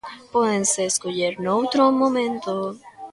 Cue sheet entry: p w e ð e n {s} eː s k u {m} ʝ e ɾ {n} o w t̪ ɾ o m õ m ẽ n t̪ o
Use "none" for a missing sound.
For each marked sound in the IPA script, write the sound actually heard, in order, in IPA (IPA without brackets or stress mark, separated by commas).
s, none, n